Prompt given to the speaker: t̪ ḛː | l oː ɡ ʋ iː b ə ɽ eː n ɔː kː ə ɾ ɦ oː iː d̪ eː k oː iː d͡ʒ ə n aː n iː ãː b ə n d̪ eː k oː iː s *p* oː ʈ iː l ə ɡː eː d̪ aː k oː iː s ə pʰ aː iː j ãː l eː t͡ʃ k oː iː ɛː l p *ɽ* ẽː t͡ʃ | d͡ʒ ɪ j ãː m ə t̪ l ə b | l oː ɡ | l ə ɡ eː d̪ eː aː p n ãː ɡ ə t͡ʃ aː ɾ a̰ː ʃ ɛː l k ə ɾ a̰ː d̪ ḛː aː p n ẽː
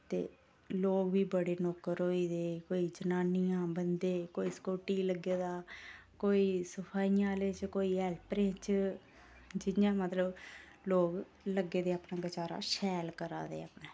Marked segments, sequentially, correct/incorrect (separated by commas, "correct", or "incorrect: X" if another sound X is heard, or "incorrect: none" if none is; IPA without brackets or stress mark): incorrect: k, incorrect: ɾ